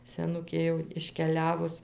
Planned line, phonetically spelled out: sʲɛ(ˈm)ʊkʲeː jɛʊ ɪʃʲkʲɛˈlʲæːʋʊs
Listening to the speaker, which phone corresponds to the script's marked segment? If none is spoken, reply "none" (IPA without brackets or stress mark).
n